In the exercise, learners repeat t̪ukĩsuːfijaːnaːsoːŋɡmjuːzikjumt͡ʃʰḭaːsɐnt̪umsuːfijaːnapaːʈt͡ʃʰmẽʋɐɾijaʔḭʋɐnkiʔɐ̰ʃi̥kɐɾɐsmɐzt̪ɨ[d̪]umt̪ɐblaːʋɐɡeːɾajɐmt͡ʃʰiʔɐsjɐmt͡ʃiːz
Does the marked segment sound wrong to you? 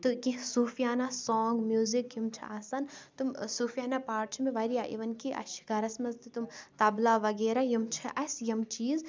yes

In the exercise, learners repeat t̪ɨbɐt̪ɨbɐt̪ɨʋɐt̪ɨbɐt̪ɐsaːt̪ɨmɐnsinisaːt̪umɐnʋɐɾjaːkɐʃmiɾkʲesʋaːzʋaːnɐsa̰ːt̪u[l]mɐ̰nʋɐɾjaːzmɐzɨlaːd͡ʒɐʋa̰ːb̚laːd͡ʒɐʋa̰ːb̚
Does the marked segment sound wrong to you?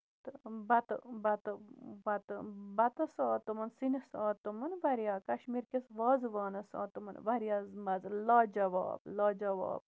yes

